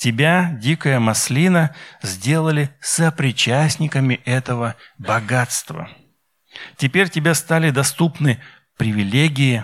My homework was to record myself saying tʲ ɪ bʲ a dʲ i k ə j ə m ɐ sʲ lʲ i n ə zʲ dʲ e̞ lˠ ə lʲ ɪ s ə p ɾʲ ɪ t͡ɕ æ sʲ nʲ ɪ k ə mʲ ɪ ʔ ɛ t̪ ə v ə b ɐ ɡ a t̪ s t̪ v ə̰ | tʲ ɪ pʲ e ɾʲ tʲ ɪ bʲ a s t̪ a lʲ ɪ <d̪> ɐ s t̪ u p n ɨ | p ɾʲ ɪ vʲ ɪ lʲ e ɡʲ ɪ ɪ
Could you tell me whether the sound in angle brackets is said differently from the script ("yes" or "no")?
no